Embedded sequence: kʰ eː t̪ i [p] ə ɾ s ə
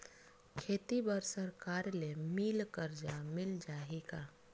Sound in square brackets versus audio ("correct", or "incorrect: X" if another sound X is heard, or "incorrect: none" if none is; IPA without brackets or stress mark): incorrect: b